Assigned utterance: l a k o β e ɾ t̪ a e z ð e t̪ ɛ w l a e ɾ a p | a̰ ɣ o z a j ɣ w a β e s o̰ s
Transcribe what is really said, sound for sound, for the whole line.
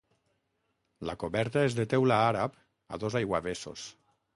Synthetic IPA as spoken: l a k o β ɛ ɾ t̪ a e z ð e t̪ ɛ w l a a ɾ a p | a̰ ð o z a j ɣ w a β e s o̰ s